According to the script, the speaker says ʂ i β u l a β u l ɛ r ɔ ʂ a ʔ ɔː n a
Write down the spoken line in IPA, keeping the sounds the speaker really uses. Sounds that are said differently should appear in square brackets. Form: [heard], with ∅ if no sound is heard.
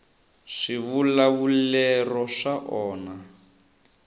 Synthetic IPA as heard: ʂ i β u l a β u l ɛ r ɔ ʂ a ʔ ɔː n a